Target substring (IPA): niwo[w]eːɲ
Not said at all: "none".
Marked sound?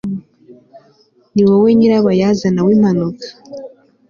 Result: w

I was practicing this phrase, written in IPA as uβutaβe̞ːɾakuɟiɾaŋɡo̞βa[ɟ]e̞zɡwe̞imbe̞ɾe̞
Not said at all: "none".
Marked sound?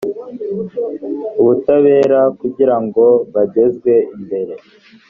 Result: ɟ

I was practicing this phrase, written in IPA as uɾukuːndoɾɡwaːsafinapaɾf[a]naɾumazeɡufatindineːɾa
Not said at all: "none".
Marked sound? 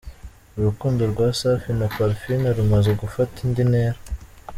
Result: i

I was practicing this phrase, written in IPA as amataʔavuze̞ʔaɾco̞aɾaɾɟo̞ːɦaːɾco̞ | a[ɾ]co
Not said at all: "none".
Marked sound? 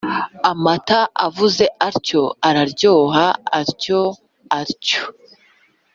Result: ɾ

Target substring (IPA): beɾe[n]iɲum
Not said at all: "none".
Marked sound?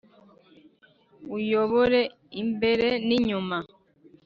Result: n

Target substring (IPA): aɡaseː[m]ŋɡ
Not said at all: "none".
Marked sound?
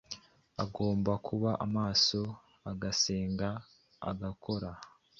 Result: none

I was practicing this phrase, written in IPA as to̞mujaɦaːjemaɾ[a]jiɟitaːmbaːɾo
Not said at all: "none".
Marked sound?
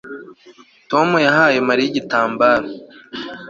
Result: i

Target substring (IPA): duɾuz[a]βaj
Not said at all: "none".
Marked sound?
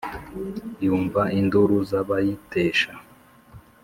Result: a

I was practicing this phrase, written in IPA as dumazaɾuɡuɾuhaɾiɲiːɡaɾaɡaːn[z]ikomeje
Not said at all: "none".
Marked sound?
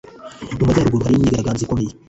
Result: z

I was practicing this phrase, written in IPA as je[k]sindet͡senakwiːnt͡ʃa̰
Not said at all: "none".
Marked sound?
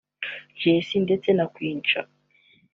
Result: none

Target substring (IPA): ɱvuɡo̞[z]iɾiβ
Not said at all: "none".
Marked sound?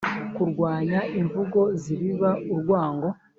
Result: z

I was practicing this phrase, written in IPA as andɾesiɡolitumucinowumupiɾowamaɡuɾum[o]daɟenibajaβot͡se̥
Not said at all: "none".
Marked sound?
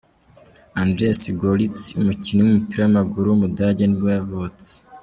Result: u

